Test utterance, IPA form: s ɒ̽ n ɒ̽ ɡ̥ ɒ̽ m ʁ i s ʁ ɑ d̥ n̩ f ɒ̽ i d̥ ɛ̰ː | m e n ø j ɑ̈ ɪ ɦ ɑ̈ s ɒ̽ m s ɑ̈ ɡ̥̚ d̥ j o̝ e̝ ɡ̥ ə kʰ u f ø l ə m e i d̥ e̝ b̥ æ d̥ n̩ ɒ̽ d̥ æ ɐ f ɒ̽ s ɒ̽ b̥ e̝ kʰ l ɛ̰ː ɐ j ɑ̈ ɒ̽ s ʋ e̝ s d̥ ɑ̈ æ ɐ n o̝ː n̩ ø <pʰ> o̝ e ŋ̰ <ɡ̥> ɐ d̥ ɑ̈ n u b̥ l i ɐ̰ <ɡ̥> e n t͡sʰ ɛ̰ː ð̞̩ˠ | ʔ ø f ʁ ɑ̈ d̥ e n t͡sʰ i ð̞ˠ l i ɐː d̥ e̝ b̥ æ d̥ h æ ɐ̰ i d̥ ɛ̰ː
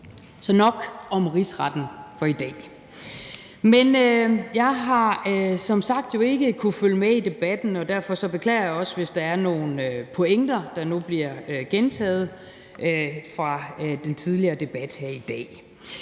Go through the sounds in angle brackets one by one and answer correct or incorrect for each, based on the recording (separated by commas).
correct, incorrect, correct